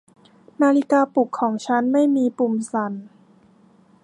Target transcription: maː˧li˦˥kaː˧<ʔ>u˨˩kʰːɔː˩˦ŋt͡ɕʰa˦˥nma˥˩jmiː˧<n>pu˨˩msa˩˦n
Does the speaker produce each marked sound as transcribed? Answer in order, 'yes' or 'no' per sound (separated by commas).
no, no